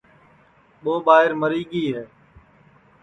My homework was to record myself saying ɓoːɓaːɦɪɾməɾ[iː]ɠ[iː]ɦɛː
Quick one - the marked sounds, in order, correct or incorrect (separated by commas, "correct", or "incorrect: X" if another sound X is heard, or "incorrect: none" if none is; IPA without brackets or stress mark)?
correct, correct